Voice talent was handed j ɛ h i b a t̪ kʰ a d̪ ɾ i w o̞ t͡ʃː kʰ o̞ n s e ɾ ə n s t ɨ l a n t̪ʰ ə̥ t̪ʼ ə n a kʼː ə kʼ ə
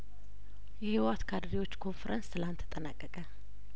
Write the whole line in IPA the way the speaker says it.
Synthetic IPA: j ɛ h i w a t̪ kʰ a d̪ ɾ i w o̞ t͡ʃː kʰ o̞ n f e ɾ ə n s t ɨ l a n t̪ʰ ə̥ t̪ʼ ə n a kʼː ə kʼ ə